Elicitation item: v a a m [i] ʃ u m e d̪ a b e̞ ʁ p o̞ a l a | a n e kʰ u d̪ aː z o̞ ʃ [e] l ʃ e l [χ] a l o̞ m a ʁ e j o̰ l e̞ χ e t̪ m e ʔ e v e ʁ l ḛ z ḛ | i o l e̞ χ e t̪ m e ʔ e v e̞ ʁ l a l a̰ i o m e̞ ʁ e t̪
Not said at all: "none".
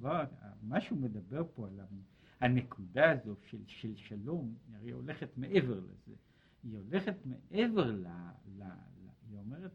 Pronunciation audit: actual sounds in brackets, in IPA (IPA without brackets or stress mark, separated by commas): a, e, ʃ